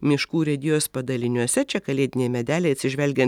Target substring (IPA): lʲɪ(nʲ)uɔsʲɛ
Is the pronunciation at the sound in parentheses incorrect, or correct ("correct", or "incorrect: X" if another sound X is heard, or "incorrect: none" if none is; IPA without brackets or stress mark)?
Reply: correct